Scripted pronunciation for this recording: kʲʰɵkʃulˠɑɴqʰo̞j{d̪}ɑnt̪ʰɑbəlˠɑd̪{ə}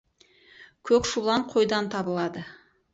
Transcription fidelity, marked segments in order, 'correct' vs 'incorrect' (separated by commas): correct, correct